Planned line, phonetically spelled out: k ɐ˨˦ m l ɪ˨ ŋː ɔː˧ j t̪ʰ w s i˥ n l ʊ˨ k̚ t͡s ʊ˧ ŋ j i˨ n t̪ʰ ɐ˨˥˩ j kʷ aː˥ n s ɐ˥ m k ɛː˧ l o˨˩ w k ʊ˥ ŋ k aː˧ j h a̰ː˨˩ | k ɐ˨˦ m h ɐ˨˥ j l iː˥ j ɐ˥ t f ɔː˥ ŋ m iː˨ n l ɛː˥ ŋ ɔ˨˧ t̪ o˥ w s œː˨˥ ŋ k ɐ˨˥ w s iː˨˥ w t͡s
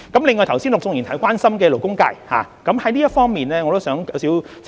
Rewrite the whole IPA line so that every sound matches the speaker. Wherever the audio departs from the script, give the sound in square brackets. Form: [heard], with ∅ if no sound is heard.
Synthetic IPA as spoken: k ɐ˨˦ m l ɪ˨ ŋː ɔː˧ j t̪ʰ w s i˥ n l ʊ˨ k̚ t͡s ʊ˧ ŋ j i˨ n t̪ʰ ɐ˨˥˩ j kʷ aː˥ n s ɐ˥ m k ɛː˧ l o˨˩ w k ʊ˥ ŋ k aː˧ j h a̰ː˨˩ | k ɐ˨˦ m h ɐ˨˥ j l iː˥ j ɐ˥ t f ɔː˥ ŋ m iː˨ n l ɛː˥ ŋ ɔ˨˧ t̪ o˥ w s œː˨˥ ŋ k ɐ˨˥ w s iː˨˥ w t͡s

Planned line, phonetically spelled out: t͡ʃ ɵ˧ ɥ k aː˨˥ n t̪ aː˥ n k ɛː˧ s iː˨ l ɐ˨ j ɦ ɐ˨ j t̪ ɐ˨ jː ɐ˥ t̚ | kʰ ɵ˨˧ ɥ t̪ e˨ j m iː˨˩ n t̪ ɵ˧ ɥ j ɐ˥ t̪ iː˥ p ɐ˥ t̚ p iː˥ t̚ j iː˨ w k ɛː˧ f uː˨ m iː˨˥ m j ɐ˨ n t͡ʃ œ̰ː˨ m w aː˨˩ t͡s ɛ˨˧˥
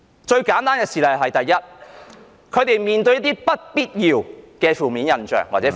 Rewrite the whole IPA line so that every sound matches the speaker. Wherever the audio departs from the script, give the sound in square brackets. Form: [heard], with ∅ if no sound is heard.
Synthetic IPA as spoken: t͡ʃ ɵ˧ ɥ k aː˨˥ n t̪ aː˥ n k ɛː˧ s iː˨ l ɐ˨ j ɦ ɐ˨ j t̪ ɐ˨ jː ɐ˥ t̚ | kʰ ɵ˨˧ ɥ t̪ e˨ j m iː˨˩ n t̪ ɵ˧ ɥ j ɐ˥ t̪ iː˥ p ɐ˥ t̚ p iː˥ t̚ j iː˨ w k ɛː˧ f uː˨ m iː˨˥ [n] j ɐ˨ n t͡ʃ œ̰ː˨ [ŋ] w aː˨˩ t͡s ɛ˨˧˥

